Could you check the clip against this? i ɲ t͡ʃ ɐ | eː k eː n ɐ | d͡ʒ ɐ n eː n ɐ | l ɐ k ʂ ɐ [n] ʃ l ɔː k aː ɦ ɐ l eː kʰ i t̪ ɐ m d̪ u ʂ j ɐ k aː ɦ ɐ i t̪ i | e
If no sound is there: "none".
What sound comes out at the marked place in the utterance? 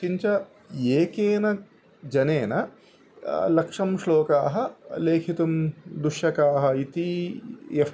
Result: m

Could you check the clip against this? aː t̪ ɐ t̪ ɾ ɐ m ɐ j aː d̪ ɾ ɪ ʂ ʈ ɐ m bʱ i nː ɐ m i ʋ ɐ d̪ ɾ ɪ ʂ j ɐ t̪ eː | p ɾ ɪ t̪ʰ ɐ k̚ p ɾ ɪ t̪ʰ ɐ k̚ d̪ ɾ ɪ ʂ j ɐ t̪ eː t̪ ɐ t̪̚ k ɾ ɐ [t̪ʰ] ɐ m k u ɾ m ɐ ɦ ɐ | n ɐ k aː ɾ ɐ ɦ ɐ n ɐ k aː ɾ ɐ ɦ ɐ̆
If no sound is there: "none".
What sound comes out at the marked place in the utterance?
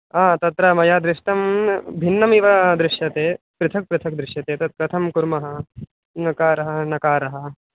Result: t̪ʰ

